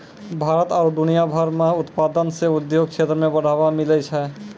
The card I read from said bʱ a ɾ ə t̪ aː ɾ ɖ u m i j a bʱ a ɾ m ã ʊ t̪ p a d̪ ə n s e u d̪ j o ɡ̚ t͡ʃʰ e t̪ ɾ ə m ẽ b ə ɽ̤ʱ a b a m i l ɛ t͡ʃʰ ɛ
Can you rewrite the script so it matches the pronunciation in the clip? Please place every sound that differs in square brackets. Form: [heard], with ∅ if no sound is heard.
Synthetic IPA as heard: bʱ a ɾ ə t̪ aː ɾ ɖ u [n] i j a bʱ a ɾ m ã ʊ t̪ p a d̪ ə n s e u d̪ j o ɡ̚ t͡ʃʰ e t̪ ɾ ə m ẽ b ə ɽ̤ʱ a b a m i l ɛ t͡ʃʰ ɛ